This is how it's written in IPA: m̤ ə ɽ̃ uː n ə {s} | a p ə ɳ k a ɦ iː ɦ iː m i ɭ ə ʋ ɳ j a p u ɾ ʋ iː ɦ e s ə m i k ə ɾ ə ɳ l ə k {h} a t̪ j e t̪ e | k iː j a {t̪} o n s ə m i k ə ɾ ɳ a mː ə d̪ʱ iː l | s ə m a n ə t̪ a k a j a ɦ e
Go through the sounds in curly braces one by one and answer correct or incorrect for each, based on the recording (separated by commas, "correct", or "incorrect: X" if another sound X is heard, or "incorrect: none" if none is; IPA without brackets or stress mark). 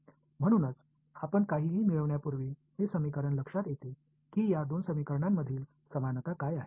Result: incorrect: t͡s, incorrect: ʂ, incorrect: d̪